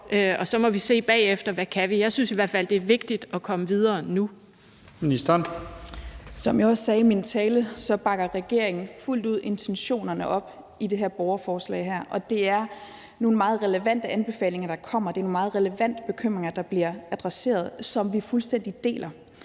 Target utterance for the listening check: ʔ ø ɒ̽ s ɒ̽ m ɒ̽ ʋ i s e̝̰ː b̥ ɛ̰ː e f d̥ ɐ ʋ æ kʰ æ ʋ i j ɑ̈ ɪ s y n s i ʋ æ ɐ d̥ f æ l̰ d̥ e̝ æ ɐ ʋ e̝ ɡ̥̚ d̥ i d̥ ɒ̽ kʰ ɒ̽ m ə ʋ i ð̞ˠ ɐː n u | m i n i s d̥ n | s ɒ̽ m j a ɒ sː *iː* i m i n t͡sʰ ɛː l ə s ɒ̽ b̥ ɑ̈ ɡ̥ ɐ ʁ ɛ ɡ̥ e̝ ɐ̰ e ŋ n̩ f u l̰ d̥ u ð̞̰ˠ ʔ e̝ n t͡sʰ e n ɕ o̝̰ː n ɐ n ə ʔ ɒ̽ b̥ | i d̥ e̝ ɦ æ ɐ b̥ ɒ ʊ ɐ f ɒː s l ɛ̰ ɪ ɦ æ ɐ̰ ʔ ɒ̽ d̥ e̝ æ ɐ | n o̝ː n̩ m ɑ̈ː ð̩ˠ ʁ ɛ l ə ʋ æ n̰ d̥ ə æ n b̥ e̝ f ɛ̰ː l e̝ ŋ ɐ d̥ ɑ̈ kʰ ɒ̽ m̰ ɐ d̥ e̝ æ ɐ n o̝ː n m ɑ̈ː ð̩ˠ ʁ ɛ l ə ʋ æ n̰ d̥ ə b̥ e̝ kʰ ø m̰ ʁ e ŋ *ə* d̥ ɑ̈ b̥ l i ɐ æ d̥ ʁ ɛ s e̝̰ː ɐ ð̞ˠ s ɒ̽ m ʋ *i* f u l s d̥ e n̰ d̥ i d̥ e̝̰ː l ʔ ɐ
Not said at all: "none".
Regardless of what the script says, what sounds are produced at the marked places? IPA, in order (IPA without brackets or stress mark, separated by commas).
ɛː, ɐ, i